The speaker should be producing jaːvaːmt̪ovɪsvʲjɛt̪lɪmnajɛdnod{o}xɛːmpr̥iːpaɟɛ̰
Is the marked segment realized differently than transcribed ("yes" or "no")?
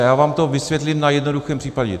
yes